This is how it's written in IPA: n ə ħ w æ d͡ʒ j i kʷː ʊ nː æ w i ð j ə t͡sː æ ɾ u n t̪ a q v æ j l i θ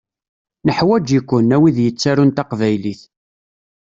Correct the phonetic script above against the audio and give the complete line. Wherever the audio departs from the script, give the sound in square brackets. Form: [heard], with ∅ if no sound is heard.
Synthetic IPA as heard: n ə ħ w æ d͡ʒ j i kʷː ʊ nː æ w i ð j ə t͡sː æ ɾ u n t̪ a q v æ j l i θ